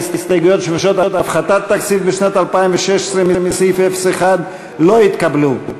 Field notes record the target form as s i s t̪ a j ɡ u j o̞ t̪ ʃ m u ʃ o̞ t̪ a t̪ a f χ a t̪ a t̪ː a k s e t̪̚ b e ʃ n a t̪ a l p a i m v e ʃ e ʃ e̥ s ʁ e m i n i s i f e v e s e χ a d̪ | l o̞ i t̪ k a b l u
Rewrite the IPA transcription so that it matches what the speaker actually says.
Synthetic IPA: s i s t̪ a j ɡ u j o̞ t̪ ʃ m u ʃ o̞ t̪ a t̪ a f χ a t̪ a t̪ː a k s i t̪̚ b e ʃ n a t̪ a l p a i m v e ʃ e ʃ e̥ s ʁ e m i m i s i f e f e s e χ a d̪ | l o̞ i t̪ k a b l u